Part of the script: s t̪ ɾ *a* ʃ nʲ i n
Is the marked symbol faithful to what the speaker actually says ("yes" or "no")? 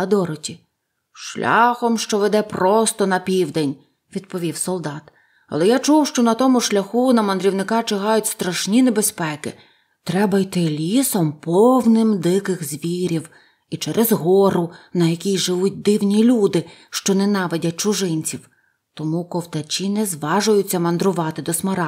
no